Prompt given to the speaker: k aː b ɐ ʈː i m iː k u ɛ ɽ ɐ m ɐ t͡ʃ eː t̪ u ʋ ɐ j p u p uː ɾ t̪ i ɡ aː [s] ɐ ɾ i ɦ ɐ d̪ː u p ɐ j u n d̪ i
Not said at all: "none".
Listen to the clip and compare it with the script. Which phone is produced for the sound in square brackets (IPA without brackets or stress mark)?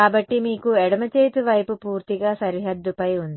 s